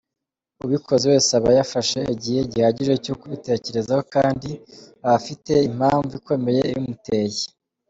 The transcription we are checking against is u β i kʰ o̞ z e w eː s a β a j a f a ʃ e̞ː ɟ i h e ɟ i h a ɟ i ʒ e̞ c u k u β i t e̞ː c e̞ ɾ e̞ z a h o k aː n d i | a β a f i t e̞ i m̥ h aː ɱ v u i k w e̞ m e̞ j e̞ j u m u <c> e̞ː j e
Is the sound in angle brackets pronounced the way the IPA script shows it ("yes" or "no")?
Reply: no